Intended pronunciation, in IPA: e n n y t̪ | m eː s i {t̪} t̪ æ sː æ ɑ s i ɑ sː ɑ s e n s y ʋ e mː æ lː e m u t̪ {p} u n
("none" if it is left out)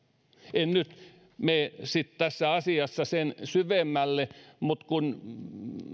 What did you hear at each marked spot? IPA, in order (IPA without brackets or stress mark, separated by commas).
t̪, k